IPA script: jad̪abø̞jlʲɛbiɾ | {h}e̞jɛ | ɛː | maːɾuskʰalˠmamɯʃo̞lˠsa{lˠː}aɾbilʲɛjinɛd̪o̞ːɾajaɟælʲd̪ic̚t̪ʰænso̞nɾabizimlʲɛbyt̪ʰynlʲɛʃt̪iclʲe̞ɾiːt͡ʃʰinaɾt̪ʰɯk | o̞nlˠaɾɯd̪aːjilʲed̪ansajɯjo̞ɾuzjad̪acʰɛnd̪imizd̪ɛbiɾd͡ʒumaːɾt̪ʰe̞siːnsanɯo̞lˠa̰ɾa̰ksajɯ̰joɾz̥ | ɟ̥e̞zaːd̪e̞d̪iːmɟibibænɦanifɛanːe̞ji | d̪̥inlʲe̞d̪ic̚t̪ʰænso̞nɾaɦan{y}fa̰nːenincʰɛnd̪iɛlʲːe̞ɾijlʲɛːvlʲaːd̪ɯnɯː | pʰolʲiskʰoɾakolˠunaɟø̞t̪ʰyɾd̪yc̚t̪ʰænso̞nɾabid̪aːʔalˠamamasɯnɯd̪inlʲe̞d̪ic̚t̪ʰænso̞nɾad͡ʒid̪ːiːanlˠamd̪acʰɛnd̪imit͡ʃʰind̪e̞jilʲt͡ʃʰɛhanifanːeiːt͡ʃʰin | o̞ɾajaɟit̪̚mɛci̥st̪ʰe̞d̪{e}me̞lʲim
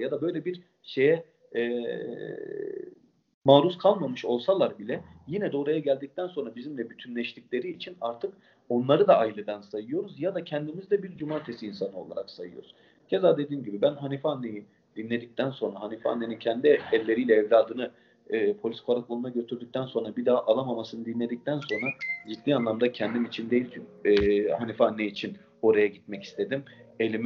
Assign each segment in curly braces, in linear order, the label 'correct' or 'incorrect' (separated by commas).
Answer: incorrect, incorrect, incorrect, incorrect